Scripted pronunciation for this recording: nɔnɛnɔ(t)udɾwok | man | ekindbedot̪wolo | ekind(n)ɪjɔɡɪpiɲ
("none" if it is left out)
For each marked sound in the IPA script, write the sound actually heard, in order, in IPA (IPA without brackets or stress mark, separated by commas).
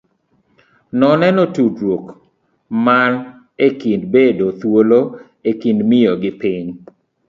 t, m